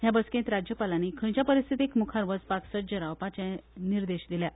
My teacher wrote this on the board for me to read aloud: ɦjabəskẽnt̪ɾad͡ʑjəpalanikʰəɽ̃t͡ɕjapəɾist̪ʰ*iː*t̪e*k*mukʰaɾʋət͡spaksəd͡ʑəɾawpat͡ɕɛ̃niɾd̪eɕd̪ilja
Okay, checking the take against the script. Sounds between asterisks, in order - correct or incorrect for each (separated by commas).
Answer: incorrect, correct